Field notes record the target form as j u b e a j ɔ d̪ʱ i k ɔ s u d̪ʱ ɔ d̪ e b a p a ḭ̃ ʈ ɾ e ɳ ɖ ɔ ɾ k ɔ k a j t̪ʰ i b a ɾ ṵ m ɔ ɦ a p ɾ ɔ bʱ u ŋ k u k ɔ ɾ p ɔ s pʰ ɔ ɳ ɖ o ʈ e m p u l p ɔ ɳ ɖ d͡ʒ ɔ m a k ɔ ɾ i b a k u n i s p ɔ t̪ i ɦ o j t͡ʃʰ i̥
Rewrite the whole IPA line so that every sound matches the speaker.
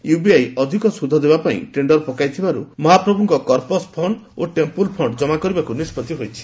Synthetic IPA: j u b i a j ɔ d̪ʱ i k ɔ s u d̪ʱ ɔ d̪ e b a p a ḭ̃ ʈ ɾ e ɳ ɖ ɔ ɾ p ɔ k a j t̪ʰ i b a ɾ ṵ m ɔ ɦ a p ɾ ɔ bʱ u ŋ k ɔ k ɔ ɾ p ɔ s pʰ ɔ ɳ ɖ o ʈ e m p u l pʰ ɔ ɳ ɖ d͡ʒ ɔ m a k ɔ ɾ i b a k u n i s p ɔ t̪ i ɦ o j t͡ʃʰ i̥